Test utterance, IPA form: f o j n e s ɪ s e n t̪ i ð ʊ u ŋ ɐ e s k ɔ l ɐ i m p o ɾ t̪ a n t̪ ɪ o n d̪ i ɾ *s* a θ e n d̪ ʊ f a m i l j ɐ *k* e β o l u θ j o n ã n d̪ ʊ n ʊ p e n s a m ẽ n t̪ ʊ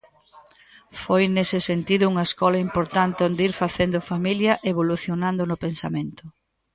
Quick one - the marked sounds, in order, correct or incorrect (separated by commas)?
incorrect, incorrect